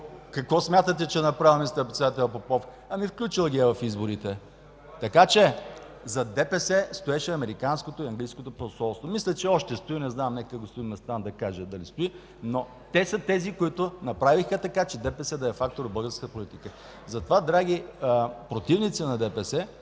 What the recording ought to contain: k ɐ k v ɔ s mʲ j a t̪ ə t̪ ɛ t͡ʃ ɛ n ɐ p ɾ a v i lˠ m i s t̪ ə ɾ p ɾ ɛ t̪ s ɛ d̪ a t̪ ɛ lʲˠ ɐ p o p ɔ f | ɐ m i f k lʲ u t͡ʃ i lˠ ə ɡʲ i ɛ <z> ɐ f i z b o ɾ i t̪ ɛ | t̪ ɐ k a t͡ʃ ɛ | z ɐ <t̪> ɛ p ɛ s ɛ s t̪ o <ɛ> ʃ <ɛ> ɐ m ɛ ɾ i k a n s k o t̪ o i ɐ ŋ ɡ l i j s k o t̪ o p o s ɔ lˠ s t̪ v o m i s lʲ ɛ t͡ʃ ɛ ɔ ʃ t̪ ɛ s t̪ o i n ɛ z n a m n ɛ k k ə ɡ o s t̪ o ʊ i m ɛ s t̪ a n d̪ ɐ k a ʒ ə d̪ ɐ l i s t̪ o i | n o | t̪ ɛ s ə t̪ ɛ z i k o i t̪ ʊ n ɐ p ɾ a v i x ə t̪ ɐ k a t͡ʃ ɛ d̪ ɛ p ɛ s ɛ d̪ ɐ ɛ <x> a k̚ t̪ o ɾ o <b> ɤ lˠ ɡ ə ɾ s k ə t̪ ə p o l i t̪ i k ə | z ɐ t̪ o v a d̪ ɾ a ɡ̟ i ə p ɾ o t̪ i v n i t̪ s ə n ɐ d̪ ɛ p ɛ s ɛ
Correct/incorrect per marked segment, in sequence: incorrect: v, incorrect: d̪, correct, correct, incorrect: f, correct

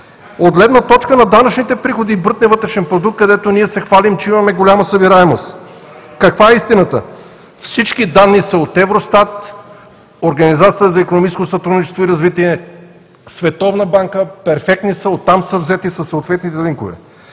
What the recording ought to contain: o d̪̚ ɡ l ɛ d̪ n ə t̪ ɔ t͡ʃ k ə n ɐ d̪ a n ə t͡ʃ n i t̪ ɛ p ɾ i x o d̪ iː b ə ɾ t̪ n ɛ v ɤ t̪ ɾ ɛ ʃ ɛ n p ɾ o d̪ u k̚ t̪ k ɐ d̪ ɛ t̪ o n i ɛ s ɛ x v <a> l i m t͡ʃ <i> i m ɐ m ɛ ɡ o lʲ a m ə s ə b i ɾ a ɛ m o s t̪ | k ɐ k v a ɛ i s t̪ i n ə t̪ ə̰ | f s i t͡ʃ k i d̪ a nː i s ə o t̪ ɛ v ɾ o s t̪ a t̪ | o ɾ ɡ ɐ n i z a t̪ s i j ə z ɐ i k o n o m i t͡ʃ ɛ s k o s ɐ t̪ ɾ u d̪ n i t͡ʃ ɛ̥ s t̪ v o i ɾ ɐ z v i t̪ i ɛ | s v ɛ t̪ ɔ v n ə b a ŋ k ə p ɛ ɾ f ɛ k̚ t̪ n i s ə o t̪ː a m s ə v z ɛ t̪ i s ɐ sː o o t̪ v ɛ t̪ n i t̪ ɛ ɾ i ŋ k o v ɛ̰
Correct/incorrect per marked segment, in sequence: correct, incorrect: ɛ

